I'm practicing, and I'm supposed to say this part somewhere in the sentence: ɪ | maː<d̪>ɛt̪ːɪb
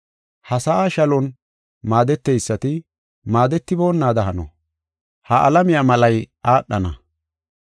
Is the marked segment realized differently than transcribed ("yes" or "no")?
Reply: no